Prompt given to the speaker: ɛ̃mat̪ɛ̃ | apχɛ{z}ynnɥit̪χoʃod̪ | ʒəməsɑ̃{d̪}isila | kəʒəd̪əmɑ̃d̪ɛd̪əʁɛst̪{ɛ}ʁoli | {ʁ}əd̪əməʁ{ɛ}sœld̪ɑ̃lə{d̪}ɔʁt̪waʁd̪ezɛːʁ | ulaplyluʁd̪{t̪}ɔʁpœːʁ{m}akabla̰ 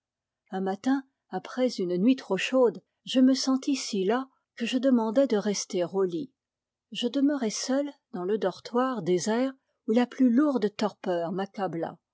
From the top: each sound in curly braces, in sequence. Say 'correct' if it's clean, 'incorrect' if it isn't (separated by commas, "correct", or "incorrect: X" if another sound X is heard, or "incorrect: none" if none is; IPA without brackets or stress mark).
correct, incorrect: t̪, incorrect: e, incorrect: ʒ, correct, correct, correct, correct